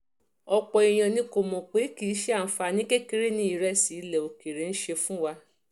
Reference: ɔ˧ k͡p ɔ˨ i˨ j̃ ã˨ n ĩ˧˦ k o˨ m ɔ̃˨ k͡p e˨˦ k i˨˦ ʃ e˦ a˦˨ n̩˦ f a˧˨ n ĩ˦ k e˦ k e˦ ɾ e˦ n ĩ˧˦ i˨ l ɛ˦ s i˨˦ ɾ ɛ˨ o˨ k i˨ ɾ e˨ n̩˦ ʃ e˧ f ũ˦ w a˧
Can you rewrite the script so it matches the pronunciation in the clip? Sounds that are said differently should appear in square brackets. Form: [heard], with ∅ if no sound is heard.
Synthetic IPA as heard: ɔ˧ k͡p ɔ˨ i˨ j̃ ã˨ n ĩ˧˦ k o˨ m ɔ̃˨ k͡p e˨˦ k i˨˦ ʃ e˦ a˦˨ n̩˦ f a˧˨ n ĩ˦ k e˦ k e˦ ɾ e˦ n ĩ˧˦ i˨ [ɾ] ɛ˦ s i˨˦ [l] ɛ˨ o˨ k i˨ ɾ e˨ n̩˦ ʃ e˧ f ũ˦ w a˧